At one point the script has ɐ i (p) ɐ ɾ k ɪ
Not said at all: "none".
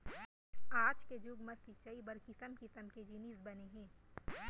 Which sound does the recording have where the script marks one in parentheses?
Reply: b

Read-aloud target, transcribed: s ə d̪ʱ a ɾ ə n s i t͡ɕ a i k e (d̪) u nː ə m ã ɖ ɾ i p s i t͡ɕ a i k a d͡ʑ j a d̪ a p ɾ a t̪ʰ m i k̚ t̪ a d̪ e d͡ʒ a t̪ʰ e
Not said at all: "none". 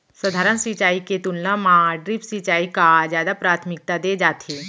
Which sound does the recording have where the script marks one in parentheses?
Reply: t̪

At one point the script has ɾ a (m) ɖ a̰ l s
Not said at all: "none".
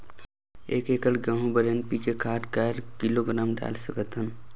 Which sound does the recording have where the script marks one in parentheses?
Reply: m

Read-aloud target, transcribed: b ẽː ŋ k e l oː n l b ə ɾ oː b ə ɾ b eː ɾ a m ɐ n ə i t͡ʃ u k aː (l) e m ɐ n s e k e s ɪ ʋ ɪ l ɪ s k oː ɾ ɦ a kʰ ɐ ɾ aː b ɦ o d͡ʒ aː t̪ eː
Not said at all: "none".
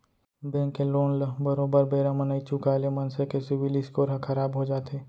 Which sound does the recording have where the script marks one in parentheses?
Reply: l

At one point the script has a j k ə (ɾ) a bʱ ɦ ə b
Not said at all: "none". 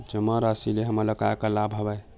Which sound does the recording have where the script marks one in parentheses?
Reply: l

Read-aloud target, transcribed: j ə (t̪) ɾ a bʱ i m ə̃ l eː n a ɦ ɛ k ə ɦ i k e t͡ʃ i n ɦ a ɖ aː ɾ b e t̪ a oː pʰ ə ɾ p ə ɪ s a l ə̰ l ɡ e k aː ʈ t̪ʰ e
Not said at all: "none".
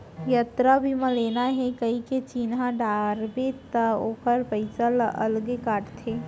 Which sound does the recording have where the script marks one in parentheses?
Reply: t̪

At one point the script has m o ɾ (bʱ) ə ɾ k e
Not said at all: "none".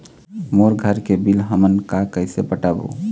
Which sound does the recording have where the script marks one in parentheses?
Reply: ɡʱ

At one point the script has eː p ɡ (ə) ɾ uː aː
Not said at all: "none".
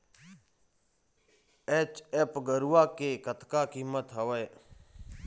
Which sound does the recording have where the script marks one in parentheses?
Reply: ə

